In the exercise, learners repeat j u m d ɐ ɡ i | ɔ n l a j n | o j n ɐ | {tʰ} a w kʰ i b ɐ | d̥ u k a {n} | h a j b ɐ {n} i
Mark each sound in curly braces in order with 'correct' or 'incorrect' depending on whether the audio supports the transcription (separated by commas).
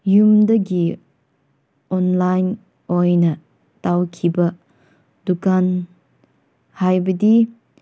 incorrect, correct, incorrect